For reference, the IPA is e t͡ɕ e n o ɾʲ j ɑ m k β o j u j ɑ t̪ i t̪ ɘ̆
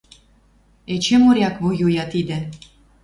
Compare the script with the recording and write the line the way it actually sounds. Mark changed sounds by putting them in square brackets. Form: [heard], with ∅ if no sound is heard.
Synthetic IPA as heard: e t͡ɕ e [m] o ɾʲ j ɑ [∅] k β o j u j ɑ t̪ i [d̪] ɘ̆